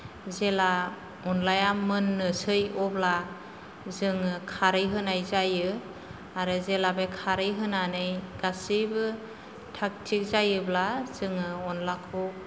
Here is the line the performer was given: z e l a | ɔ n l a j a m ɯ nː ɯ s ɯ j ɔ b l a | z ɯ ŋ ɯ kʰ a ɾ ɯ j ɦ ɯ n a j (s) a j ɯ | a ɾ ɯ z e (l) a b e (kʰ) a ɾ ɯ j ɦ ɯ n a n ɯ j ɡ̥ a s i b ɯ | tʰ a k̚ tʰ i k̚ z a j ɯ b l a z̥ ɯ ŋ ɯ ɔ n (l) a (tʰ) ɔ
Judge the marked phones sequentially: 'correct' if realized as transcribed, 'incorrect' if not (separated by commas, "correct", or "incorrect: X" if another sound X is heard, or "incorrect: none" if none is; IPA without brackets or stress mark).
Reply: incorrect: z, correct, correct, correct, incorrect: kʰ